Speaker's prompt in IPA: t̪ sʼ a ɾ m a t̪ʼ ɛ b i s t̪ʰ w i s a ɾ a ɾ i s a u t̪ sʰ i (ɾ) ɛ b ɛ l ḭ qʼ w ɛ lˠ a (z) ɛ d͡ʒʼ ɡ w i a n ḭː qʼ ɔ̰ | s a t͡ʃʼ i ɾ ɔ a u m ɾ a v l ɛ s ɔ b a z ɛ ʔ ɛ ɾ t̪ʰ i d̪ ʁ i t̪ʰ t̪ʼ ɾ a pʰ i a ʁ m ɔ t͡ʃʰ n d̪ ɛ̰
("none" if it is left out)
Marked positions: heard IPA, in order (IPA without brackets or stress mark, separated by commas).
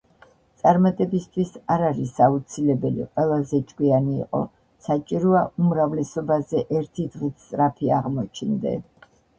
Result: l, z